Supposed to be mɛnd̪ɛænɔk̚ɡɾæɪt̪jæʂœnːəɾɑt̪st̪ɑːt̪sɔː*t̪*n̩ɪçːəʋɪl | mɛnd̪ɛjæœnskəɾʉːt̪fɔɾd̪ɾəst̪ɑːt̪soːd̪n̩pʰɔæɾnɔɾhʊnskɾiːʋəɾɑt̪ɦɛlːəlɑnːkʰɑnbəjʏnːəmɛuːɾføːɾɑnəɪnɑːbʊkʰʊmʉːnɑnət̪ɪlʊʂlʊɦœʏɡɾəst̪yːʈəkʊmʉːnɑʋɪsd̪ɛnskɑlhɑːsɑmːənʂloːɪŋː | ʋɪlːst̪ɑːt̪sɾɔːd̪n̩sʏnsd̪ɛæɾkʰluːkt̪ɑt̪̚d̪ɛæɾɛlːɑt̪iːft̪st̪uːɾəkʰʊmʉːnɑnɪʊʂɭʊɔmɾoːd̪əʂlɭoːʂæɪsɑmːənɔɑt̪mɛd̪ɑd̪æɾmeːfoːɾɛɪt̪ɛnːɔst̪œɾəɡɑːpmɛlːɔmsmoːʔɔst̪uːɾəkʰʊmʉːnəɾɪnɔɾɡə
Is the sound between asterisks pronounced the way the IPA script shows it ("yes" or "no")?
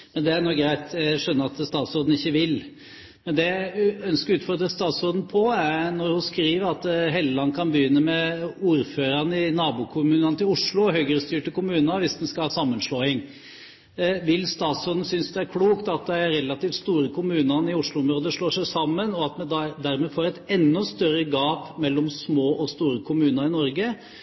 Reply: no